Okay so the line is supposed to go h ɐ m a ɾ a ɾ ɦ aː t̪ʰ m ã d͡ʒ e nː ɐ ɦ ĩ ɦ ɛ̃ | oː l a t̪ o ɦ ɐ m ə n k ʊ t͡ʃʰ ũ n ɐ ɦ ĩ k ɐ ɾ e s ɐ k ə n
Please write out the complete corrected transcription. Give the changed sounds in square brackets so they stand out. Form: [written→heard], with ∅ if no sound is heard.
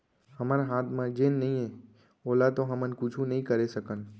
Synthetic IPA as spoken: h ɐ m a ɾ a [ɾ→∅] ɦ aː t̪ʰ m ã d͡ʒ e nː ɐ ɦ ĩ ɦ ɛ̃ | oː l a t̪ o ɦ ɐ m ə n k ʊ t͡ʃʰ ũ n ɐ ɦ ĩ k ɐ ɾ e s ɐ k ə n

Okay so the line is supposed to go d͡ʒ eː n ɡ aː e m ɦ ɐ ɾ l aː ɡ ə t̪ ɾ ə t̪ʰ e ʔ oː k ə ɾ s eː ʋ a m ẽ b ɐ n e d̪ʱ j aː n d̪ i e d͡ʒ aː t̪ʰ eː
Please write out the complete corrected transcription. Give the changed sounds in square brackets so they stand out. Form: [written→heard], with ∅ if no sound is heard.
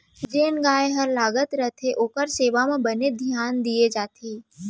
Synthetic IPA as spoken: d͡ʒ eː n ɡ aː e [m→∅] ɦ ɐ ɾ l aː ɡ ə t̪ ɾ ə t̪ʰ e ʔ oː k ə ɾ s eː ʋ a m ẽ b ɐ n e d̪ʱ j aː n d̪ i e d͡ʒ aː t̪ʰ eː

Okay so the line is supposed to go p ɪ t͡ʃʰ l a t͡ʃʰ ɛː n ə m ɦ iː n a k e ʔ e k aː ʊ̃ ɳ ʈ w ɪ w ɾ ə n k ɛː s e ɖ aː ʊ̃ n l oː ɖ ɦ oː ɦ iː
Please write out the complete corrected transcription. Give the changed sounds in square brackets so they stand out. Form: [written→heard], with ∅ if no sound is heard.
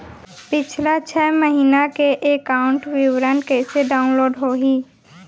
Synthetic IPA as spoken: p ɪ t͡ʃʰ l a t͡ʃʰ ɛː [n→m] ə [m→∅] ɦ iː n a k e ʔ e k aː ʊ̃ ɳ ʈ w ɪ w ɾ ə n k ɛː s e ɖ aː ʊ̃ n l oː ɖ ɦ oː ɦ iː

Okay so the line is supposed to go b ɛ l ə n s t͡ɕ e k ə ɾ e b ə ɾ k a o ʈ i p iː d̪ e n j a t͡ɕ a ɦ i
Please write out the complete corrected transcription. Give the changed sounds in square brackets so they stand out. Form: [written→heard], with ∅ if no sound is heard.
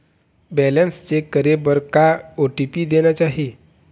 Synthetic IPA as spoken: b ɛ l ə n s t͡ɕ e k ə ɾ e b ə ɾ k a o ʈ i p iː d̪ e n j a t͡ɕ a ɦ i

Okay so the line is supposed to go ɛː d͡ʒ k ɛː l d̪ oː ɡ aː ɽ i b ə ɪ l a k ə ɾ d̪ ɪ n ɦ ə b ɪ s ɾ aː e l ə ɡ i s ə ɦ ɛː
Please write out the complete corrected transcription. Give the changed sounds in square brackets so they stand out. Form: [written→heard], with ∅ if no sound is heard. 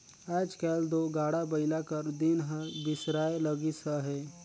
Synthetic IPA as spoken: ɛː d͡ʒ k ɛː l d̪ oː ɡ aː ɽ [i→a] b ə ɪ l a k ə ɾ d̪ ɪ n ɦ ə b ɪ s ɾ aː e l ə ɡ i s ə ɦ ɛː

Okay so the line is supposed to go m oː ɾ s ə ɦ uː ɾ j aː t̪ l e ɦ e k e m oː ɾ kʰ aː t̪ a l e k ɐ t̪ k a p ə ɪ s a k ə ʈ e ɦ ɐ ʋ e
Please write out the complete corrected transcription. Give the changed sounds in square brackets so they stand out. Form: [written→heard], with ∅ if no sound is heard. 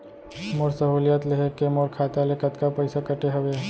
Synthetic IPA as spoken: m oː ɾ s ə ɦ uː [ɾ→l] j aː t̪ l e ɦ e k e m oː ɾ kʰ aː t̪ a l e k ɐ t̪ k a p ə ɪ s a k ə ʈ e ɦ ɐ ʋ e

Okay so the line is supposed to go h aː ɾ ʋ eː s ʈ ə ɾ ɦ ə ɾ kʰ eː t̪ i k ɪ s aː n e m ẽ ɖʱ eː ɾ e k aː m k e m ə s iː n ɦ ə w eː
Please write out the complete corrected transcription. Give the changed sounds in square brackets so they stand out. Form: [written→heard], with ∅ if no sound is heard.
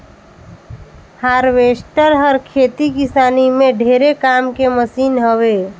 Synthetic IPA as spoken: h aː ɾ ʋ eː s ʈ ə ɾ ɦ ə ɾ kʰ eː t̪ i k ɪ s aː n [e→i] m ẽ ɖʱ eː ɾ e k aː m k e m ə s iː n ɦ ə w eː

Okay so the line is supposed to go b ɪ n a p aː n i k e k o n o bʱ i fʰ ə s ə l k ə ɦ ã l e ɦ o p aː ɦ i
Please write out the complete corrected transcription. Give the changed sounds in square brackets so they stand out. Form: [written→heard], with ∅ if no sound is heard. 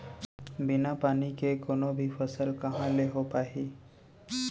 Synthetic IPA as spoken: b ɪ n a p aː n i k e k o n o bʱ i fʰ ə s ə l k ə ɦ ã l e ɦ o p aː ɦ i

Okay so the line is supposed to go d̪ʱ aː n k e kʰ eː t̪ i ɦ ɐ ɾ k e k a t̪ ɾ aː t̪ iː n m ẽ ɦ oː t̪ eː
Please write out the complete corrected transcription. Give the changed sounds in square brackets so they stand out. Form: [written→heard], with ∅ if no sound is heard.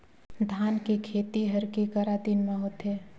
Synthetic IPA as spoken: d̪ʱ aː n k e kʰ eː t̪ i ɦ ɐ ɾ k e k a [t̪→∅] ɾ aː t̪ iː n m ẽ ɦ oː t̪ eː

